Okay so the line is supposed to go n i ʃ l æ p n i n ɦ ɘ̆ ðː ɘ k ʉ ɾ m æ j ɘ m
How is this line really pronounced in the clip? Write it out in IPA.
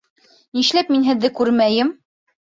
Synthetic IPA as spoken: n i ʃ l æ p m i n ɦ ɘ̆ ðː ɘ k ʉ ɾ m æ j ɘ m